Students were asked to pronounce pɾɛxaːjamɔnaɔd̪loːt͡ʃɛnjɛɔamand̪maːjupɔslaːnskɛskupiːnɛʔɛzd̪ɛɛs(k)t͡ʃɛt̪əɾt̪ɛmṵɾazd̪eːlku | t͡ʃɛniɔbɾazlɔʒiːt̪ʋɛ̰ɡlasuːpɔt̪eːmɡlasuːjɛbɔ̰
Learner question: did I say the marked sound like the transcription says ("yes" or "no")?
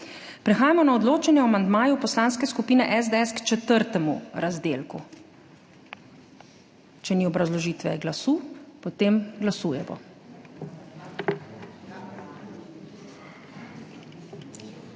yes